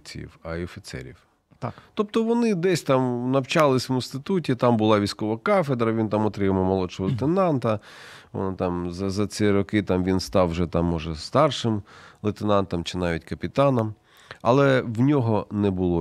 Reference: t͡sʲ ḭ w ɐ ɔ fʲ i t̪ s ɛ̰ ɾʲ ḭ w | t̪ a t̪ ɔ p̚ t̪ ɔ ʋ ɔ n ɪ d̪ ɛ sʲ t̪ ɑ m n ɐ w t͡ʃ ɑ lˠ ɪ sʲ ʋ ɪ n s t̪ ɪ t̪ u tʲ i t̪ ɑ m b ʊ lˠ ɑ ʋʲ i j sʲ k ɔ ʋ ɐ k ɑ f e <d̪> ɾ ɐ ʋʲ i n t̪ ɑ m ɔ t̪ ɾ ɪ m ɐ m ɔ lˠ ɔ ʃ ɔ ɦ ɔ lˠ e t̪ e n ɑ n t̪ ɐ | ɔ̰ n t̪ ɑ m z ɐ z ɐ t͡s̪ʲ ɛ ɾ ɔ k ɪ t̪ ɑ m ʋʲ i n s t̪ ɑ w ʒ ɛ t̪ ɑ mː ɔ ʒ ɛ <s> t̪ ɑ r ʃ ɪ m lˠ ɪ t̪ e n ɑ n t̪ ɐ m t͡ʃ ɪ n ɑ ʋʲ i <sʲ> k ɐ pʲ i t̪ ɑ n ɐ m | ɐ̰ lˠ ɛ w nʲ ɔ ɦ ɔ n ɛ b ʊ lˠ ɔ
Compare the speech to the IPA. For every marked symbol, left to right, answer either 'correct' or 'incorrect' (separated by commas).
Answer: correct, correct, incorrect